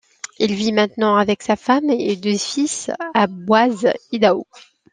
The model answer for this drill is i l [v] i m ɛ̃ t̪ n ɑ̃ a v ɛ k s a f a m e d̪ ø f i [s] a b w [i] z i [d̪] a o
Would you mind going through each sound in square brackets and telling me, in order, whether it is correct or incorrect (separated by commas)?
correct, correct, incorrect, correct